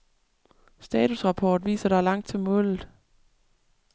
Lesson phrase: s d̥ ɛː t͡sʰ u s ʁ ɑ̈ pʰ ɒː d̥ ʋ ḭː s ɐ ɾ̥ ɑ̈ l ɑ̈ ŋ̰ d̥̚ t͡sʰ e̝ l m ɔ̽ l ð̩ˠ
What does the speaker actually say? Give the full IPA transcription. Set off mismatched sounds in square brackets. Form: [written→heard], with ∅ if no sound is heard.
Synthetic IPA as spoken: s d̥ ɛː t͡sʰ u s ʁ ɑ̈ pʰ ɒː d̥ ʋ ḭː s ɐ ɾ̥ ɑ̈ l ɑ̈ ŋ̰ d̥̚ t͡sʰ e̝ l m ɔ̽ l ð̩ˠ